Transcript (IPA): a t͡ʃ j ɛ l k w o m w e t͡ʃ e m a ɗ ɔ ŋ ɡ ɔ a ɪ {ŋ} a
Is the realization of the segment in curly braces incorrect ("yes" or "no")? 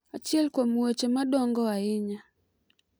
yes